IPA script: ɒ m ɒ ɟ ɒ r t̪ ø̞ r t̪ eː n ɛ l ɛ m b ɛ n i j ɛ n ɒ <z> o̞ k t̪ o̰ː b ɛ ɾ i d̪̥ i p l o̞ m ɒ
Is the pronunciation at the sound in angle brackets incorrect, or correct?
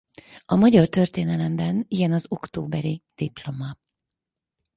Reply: correct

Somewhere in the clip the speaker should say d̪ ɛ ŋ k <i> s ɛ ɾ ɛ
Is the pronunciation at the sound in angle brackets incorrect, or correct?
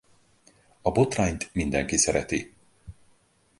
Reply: correct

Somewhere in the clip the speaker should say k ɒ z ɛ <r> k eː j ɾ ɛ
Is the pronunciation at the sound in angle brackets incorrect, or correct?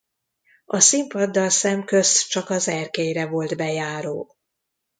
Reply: correct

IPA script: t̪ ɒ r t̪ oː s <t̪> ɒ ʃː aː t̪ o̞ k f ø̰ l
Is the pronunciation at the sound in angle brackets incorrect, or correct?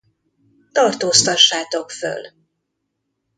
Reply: correct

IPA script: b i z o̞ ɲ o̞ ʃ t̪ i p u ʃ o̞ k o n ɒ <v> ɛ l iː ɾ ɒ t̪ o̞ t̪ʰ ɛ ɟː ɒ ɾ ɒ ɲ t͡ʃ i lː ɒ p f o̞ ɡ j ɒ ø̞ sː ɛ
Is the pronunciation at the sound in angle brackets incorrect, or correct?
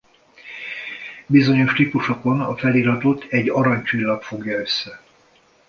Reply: incorrect: f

